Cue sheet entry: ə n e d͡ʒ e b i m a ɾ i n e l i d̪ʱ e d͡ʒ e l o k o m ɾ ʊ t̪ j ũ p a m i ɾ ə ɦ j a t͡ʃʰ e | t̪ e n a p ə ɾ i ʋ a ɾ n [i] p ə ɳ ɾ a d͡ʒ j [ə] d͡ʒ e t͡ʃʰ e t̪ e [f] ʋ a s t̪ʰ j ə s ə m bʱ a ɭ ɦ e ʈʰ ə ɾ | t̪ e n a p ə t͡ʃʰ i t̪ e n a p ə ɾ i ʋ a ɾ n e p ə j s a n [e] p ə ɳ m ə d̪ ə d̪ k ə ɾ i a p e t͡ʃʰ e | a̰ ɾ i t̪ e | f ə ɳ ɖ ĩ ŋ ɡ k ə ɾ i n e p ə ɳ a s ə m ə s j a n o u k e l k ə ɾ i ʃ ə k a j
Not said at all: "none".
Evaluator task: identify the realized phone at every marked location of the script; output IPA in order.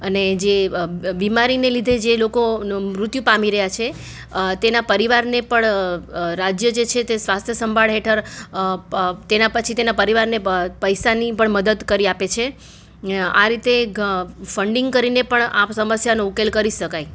e, ə, s, i

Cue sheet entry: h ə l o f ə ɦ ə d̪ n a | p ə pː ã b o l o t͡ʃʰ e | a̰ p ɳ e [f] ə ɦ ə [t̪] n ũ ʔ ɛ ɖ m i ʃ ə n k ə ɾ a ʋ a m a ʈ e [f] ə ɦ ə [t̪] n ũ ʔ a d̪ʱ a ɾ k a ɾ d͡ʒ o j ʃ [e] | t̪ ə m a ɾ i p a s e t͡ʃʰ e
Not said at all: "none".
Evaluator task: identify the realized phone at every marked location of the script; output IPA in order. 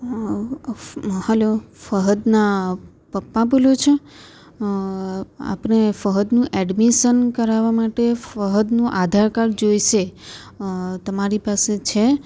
f, d̪, f, d̪, e

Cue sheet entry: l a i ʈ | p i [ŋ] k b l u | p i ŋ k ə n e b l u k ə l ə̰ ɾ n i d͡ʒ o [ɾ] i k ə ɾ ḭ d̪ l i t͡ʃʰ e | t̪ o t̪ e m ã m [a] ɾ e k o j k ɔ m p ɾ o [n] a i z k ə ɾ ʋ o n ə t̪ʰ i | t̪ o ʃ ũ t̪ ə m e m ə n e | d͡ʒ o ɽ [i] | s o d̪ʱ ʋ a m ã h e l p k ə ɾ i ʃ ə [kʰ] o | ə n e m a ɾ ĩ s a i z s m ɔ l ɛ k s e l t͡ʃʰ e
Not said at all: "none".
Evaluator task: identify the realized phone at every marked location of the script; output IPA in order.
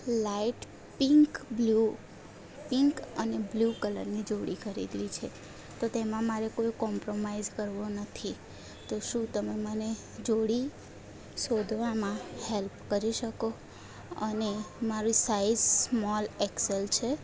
ŋ, ɽ, a, m, i, k

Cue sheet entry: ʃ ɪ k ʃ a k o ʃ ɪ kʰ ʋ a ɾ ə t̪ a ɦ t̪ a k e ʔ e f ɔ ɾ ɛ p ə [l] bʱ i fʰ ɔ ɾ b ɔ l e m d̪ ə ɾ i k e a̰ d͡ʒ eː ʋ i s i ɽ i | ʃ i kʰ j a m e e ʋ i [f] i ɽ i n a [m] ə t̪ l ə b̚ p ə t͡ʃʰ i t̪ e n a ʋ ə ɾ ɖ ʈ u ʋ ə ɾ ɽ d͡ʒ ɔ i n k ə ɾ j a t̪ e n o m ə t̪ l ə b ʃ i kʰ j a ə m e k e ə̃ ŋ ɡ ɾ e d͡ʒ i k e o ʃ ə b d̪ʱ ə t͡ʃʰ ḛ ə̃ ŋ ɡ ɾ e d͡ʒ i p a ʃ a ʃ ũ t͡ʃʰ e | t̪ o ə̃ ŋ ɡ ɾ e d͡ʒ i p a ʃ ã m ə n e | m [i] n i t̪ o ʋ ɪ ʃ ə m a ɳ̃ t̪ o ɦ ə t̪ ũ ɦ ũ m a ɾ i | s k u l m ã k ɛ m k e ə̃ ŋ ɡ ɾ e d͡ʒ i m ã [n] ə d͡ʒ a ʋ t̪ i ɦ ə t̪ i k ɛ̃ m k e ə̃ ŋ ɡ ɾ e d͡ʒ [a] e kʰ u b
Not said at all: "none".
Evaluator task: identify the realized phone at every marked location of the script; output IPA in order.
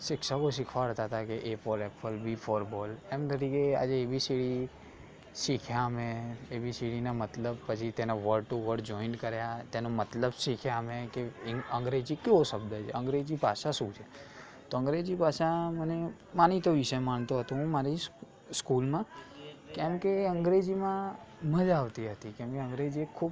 l, s, m, a, m, i

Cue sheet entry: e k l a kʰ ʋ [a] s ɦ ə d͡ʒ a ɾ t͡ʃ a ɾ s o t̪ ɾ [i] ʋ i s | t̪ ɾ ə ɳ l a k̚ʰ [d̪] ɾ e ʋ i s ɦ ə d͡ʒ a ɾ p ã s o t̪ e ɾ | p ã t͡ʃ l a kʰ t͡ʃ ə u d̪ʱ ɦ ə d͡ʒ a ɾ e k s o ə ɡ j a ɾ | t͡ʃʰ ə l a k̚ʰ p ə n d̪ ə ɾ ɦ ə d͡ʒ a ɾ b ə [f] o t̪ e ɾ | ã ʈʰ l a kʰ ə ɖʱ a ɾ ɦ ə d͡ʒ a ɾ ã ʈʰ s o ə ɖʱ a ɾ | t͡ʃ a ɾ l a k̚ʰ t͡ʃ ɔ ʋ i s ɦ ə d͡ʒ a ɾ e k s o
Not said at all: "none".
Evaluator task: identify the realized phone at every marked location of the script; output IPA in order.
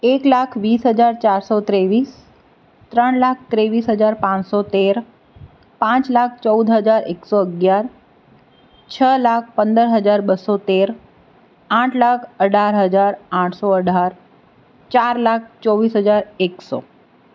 i, e, t̪, s

